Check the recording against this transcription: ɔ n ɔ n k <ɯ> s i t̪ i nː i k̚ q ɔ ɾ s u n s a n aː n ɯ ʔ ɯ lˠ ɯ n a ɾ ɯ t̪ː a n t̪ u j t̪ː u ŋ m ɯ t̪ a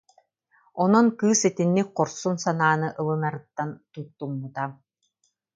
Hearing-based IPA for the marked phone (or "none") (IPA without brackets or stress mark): ɯː